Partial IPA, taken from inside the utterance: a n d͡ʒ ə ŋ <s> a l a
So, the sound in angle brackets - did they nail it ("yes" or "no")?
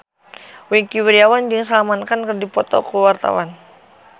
yes